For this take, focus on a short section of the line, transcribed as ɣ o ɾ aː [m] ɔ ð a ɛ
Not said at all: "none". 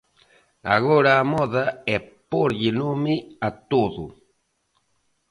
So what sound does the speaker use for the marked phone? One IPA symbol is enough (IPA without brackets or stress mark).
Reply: m